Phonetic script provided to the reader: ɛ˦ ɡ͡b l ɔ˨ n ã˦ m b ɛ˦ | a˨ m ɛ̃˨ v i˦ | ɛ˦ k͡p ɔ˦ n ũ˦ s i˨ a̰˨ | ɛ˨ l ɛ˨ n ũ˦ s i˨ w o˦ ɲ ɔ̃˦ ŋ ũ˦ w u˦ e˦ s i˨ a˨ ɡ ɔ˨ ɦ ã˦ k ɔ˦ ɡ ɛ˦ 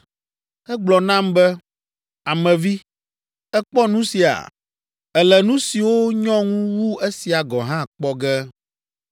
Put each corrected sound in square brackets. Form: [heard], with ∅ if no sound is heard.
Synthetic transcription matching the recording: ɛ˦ ɡ͡b l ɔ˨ n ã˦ m b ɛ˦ | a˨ m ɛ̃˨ v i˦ | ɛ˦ k͡p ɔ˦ n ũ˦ s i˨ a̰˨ | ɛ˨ l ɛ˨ n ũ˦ s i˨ w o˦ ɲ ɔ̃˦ ŋ ũ˦ w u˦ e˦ s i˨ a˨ ɡ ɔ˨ ɦ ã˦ [k͡p] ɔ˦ ɡ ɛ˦